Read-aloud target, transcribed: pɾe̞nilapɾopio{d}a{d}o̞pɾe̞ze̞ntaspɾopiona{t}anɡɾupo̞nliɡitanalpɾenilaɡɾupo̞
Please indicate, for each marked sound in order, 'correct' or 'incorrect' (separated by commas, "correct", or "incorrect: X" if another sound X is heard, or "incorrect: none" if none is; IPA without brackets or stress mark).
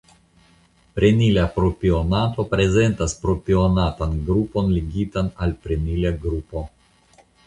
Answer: incorrect: n, incorrect: t, correct